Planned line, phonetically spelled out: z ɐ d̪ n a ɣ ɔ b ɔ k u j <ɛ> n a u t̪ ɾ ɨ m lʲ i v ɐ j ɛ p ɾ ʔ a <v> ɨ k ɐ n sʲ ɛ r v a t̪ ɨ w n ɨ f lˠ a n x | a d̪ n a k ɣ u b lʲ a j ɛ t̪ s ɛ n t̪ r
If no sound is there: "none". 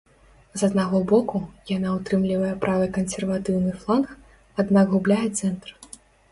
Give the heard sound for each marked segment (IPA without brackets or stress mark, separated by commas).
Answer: a, v